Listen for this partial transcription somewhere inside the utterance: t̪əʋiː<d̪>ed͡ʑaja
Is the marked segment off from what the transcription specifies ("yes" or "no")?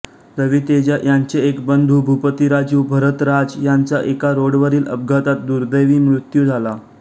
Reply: yes